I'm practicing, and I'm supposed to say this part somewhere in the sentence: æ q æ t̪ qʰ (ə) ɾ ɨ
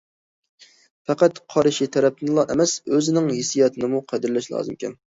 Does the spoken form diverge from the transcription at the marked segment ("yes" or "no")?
yes